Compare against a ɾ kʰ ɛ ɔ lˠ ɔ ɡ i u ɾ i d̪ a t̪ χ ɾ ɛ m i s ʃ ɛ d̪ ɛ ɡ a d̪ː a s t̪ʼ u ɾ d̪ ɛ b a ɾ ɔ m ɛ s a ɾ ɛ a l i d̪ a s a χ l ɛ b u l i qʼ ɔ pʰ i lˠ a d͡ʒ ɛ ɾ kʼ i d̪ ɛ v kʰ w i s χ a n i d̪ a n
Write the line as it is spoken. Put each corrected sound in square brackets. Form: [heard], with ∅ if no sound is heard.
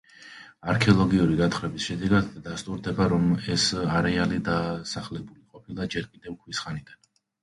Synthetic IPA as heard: a ɾ kʰ ɛ ɔ lˠ ɔ ɡ i u ɾ i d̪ a t̪ χ ɾ ɛ [b] i s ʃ ɛ d̪ ɛ ɡ a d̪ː a s t̪ʼ u ɾ d̪ ɛ b a ɾ ɔ m ɛ s a ɾ ɛ a l i d̪ a s a χ l ɛ b u l i qʼ ɔ pʰ i lˠ a d͡ʒ ɛ ɾ kʼ i d̪ ɛ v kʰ w i s χ a n i d̪ a n